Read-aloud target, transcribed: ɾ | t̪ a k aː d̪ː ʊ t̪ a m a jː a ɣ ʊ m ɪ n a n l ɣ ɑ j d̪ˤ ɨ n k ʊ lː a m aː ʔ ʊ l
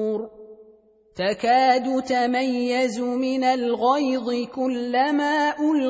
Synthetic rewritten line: ɾ | t̪ a k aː d̪ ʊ t̪ a m a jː a z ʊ m ɪ n a l ɣ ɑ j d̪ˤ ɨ k ʊ lː a m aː ʔ ʊ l